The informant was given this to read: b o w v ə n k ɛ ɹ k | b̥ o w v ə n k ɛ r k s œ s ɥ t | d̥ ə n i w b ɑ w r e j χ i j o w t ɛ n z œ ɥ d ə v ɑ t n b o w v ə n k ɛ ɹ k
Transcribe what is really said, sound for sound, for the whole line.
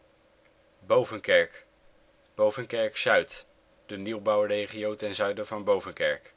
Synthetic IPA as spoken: b o w v ə n k ɛ ɹ k | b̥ o w v ə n k ɛ ɹ k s œ ɥ t | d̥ ə n i w b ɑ w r e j χ i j o w t ɛ n z œ ɥ d ə v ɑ n b o w v ə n k ɛ ɹ k